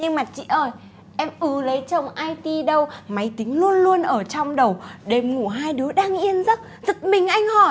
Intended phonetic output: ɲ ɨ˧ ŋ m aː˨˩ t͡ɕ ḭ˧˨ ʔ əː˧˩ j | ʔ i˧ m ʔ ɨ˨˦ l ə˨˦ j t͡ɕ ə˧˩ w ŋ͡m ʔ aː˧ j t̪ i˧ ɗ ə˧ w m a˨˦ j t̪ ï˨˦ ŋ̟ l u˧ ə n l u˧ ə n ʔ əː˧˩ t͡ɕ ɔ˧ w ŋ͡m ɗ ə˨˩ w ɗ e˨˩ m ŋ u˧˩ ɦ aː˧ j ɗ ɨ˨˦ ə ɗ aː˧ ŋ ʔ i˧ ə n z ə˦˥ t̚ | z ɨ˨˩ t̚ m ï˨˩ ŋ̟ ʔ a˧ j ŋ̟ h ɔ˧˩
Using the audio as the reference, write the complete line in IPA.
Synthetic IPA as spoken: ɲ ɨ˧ ŋ m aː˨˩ t͡ɕ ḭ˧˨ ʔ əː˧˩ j | ʔ ɛ˧ m ʔ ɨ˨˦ l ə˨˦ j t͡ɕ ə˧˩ w ŋ͡m ʔ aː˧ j t̪ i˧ ɗ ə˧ w m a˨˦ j t̪ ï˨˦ ŋ̟ l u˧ ə n l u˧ ə n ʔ əː˧˩ t͡ɕ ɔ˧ w ŋ͡m ɗ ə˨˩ w ɗ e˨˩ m ŋ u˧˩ ɦ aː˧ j ɗ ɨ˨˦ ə ɗ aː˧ ŋ ʔ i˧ ə n z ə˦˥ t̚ | z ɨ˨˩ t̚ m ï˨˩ ŋ̟ ʔ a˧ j ŋ̟ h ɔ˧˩